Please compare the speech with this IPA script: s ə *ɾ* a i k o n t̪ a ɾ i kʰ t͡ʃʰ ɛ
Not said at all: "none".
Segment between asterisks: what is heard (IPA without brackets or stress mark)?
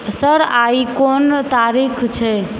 ɾ